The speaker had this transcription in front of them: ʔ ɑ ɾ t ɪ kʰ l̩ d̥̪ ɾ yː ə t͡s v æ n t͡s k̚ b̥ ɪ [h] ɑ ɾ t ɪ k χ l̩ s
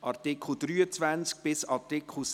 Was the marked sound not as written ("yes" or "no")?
yes